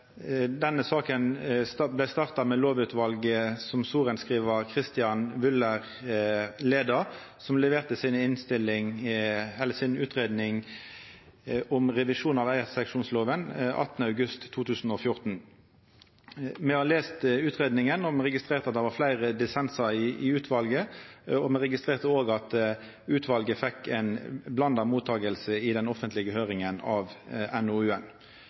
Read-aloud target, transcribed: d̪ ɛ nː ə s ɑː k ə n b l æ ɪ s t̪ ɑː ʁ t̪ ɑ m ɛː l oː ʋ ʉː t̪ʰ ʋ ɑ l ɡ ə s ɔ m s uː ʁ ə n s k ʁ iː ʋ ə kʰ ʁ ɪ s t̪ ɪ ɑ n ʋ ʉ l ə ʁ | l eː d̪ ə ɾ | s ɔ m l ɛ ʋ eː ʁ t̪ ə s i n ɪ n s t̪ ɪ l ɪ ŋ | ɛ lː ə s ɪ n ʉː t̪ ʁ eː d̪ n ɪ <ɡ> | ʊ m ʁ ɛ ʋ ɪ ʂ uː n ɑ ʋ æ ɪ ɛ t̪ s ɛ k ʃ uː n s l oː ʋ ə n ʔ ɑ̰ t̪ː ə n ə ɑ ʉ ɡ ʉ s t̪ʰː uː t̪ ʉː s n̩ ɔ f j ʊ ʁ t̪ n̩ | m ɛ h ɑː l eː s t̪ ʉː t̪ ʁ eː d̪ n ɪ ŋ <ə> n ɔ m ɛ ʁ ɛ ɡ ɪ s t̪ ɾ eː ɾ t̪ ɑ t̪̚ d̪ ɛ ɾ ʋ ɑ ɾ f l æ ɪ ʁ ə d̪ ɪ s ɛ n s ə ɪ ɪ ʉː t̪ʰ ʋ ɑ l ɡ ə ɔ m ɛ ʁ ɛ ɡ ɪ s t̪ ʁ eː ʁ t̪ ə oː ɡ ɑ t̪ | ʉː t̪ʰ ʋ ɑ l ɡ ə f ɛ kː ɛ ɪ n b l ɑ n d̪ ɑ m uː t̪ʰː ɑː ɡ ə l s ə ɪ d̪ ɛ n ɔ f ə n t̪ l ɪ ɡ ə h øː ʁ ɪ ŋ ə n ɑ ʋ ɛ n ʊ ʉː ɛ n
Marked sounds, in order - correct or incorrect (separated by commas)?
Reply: incorrect, correct